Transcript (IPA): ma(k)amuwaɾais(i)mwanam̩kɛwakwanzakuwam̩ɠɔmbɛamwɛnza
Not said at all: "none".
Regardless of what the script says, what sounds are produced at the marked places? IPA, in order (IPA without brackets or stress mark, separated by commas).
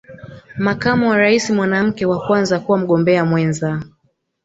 k, i